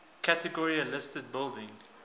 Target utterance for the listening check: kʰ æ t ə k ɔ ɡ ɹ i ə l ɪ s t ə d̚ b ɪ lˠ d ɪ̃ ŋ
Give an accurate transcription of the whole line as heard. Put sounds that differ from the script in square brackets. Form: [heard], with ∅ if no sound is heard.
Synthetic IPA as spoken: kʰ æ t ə [ɡ] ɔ [∅] ɹ i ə l ɪ s t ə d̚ b ɪ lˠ d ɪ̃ ŋ